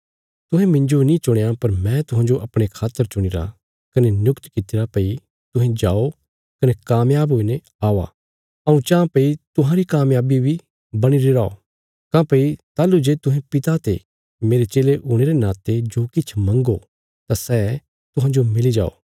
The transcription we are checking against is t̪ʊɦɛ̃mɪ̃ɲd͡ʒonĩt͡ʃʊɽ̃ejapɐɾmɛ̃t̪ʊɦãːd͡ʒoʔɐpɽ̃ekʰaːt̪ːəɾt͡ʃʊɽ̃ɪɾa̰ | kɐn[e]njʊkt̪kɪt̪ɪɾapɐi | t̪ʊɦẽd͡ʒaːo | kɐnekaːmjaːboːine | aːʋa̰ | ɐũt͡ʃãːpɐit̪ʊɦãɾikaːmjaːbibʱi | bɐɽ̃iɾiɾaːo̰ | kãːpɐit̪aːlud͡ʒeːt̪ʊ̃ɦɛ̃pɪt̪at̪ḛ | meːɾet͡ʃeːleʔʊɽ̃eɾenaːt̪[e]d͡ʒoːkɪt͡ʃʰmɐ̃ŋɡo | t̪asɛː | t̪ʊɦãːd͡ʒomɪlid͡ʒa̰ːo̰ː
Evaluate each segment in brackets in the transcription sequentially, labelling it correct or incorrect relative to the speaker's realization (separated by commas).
correct, correct